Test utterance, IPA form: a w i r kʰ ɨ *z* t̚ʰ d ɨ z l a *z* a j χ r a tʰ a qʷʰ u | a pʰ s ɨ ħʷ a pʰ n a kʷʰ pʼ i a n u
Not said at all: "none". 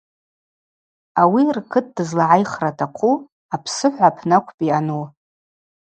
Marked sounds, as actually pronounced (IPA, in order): none, ʕ

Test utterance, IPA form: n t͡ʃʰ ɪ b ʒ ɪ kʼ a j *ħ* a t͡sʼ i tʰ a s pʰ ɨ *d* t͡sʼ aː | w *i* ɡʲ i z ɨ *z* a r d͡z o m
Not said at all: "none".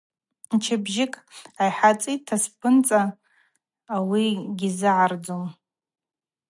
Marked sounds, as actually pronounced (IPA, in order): ħ, n, i, ʕ

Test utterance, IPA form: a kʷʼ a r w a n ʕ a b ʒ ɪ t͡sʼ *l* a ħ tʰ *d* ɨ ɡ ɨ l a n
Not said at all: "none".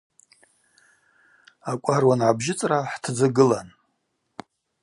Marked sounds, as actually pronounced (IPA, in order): r, d͡z

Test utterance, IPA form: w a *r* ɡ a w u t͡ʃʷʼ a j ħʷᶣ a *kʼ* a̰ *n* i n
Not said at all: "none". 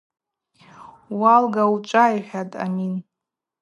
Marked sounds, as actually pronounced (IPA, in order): l, tʼ, m

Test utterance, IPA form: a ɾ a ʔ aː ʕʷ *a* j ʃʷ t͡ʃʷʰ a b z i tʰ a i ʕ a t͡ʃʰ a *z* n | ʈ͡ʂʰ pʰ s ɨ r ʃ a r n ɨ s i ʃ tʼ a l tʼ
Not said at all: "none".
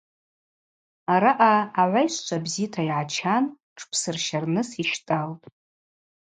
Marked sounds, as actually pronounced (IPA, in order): a, none

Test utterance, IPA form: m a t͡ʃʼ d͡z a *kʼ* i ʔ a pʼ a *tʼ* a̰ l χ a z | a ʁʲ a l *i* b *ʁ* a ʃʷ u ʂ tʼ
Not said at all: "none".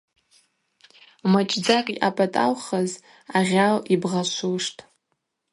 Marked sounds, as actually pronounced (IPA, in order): kʼ, tʼ, i, ʁ

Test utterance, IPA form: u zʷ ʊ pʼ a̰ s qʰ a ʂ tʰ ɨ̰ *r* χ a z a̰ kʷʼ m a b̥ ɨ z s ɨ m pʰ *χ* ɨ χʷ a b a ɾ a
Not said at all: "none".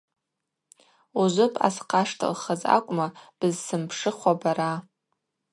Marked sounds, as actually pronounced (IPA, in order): l, ʂ

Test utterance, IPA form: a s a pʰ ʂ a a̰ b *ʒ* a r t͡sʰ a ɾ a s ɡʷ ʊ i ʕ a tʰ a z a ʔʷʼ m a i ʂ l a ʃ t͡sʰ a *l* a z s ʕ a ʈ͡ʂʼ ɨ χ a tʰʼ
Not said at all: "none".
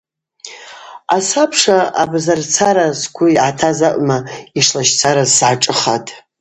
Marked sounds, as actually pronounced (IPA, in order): z, ɾ

